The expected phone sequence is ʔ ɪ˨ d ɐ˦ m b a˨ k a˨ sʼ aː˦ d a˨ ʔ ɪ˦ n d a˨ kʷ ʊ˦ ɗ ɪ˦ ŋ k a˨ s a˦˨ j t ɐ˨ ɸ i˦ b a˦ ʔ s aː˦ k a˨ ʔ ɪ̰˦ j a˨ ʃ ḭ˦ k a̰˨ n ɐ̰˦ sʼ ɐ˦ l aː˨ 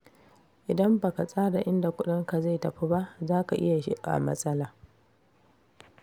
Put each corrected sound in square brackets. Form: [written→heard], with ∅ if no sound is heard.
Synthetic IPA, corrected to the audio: ʔ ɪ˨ d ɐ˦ m b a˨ k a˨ sʼ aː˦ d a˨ ʔ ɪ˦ n d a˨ kʷ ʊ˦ ɗ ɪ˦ ŋ k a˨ [s→z] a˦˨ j t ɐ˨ ɸ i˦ b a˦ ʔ [s→z] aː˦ k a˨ ʔ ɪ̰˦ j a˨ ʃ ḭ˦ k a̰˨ [n→m] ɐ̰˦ sʼ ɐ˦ l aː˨